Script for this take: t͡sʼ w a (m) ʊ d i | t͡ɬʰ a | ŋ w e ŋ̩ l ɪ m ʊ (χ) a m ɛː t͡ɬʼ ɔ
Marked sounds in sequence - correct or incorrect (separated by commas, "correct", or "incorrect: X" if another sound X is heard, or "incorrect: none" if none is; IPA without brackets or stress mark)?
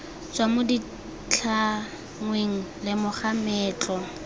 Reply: correct, correct